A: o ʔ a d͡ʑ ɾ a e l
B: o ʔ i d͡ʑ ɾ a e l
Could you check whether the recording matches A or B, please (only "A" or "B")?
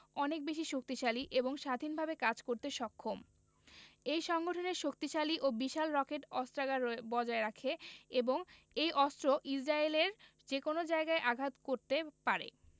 B